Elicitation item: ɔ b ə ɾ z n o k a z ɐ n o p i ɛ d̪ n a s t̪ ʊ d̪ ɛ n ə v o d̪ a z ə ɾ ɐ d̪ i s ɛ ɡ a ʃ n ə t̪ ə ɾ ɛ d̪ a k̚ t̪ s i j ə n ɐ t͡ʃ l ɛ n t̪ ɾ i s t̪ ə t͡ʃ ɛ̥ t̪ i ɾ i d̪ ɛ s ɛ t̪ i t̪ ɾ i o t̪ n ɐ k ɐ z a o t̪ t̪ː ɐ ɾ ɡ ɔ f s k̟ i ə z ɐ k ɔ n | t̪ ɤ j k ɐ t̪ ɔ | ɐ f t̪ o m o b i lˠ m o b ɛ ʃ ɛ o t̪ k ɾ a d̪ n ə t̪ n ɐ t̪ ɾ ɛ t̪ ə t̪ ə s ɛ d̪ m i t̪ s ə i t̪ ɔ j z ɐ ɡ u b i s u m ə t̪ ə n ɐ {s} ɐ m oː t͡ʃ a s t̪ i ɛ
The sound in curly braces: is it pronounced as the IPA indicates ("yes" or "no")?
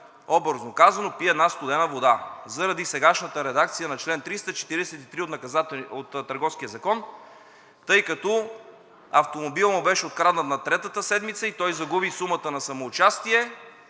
yes